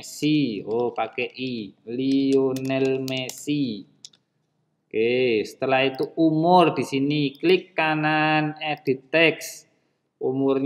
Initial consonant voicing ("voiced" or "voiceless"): voiceless